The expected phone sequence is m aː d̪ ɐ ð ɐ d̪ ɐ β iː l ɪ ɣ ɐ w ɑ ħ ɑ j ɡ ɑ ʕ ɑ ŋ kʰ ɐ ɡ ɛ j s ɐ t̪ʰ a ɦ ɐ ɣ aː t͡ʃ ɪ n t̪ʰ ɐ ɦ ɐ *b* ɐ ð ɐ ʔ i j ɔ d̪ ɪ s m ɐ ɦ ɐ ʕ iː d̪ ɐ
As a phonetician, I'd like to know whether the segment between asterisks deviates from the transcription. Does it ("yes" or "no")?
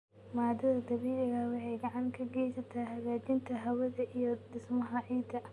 yes